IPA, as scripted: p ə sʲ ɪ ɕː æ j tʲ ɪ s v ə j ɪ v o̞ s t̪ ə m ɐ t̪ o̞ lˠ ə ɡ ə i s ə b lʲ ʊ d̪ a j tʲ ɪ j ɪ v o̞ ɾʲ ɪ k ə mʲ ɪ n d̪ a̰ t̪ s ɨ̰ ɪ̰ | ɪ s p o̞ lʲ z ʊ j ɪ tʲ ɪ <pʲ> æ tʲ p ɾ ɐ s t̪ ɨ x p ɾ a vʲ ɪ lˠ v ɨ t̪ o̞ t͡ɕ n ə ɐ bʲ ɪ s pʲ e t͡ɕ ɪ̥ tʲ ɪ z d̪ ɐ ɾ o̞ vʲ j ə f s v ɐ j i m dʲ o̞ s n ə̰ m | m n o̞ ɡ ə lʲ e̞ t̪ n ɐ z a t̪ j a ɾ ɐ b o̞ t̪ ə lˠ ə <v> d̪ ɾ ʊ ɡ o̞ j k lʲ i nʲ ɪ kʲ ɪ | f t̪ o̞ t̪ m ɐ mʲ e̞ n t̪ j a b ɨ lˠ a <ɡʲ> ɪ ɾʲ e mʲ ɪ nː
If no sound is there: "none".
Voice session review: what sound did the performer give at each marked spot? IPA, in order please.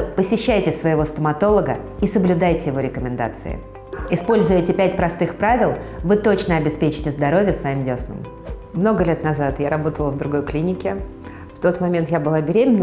pʲ, v, bʲ

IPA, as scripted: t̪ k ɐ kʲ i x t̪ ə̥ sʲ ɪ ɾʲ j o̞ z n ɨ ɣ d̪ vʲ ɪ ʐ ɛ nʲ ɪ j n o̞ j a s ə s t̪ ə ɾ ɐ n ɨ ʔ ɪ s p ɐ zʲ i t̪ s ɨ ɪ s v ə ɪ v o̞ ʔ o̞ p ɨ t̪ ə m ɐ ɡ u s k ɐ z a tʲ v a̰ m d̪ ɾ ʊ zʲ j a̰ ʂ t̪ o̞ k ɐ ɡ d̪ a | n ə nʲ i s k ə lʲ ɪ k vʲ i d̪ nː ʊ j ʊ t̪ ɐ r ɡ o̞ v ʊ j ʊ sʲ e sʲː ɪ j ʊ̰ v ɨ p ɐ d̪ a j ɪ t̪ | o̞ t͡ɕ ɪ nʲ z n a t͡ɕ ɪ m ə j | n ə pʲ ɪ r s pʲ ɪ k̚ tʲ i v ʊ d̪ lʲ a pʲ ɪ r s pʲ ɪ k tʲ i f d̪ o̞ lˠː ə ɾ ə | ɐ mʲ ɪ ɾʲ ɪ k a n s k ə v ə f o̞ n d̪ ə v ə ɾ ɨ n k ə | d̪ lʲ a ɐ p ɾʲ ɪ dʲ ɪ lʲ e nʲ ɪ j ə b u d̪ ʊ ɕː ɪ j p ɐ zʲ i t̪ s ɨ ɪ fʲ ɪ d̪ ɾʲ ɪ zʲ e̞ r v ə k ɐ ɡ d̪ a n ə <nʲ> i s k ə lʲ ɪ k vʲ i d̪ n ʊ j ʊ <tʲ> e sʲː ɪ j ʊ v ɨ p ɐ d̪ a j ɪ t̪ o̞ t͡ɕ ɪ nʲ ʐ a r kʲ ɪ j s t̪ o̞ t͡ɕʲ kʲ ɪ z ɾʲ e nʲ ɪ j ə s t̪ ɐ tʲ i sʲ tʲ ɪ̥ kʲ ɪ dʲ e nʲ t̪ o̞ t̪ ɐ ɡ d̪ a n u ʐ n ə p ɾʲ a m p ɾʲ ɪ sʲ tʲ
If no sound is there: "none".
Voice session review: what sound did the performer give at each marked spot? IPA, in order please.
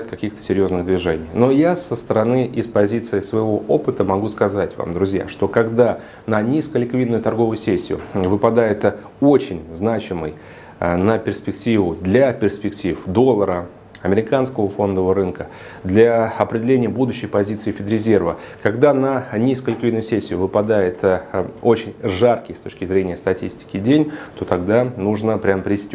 nʲ, sʲ

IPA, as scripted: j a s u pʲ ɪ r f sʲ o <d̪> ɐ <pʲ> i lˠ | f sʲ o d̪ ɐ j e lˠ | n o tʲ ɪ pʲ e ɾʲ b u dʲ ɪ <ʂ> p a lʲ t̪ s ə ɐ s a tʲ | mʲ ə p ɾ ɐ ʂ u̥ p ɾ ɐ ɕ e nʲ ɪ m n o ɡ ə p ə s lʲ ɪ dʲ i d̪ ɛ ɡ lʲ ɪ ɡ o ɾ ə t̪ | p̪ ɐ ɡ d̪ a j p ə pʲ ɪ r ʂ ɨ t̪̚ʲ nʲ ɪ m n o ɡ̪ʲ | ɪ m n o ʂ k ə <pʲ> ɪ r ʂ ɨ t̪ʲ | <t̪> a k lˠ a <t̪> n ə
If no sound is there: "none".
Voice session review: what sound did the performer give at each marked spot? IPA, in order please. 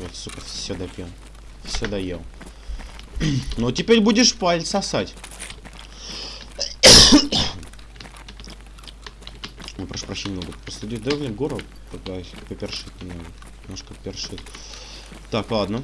d̪, pʲ, ʂ, pʲ, t̪, d̪

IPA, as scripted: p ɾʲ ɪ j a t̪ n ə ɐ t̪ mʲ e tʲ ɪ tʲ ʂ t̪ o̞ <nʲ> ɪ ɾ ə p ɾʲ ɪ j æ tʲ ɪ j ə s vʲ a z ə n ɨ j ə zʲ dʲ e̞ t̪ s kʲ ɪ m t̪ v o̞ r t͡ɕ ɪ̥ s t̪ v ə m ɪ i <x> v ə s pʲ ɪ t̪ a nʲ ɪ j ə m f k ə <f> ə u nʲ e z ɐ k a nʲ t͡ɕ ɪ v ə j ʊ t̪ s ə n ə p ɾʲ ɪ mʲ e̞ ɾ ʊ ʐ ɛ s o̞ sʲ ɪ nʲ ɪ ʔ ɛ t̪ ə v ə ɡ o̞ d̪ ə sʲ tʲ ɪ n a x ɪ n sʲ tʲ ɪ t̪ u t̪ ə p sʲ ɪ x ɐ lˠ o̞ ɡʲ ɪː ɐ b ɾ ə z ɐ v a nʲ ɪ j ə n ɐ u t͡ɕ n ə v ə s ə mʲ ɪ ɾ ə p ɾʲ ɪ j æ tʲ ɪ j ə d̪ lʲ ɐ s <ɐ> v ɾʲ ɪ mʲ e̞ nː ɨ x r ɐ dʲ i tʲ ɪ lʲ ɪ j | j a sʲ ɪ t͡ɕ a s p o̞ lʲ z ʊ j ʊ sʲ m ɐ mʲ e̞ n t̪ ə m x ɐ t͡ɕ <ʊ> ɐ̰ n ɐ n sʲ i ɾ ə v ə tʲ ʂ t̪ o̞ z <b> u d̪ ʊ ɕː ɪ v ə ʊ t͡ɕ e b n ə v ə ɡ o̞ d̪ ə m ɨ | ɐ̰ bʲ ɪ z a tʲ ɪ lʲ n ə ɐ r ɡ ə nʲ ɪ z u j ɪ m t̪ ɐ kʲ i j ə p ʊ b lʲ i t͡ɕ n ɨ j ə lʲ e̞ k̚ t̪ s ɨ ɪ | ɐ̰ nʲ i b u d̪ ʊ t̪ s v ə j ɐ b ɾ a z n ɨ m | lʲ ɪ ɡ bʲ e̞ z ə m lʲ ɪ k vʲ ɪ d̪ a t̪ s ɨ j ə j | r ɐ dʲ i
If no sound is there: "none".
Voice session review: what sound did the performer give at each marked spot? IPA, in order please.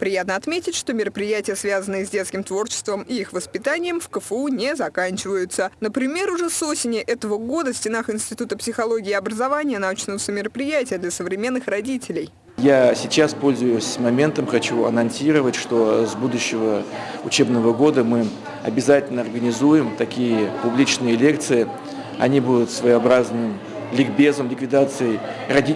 mʲ, x, f, ə, u, b

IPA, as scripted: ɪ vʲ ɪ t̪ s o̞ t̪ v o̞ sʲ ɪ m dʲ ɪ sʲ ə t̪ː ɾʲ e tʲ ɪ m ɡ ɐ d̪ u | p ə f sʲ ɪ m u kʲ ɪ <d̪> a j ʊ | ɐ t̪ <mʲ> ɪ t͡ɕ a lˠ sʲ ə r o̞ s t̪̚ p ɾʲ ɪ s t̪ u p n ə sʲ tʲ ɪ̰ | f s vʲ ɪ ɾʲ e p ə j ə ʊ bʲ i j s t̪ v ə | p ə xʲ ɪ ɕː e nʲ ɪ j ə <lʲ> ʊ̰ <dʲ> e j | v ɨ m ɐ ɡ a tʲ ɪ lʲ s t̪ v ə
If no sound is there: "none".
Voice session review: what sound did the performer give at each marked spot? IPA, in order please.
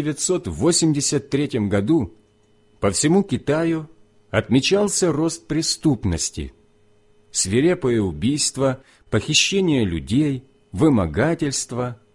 t̪, mʲ, lʲ, dʲ

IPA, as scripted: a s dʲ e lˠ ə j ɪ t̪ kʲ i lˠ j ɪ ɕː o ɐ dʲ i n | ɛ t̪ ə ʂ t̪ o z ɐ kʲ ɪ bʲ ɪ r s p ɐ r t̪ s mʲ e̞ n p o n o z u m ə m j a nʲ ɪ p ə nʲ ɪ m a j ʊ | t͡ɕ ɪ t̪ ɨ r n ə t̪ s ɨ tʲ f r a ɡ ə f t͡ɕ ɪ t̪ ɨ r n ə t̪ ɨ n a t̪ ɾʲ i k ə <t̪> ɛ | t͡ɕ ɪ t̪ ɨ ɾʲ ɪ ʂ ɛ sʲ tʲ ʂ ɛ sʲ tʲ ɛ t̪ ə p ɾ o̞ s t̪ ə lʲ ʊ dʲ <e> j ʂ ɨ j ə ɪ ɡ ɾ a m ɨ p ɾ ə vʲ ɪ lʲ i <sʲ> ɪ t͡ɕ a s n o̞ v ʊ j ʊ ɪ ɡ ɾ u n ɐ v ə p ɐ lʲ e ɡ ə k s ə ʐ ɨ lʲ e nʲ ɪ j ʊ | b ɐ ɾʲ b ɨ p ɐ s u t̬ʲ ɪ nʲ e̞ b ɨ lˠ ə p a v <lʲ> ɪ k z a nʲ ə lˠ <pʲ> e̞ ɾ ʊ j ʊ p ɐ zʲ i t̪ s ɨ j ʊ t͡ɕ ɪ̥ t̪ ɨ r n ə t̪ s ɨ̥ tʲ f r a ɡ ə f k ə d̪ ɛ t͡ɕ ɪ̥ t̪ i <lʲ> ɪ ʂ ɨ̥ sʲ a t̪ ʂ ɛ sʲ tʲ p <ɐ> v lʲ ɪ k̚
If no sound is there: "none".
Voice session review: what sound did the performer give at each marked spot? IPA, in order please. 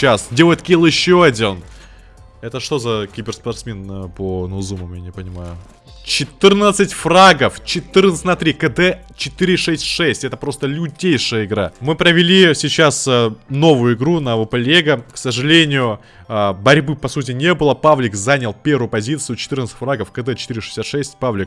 d̪, e, sʲ, lʲ, pʲ, ɾʲ, a

